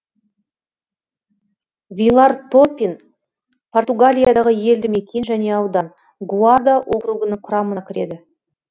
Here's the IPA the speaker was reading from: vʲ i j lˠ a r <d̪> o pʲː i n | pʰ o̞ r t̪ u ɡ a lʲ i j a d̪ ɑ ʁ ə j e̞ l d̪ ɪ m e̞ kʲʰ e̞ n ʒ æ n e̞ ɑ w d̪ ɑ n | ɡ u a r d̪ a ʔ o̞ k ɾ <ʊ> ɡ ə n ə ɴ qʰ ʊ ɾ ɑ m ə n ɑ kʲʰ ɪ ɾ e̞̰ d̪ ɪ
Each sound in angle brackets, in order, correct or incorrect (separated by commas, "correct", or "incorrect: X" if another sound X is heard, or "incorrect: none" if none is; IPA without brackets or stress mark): incorrect: t̪, incorrect: u